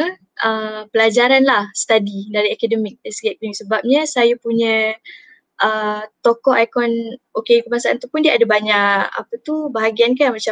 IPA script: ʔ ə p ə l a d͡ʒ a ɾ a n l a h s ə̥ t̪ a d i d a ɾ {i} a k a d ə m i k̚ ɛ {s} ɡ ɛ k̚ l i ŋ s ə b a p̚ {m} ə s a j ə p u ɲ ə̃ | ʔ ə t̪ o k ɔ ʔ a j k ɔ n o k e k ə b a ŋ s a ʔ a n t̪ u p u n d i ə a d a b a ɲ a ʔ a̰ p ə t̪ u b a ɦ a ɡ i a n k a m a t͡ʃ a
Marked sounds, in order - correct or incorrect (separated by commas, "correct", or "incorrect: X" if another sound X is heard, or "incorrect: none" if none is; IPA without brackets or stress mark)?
correct, correct, incorrect: ɲ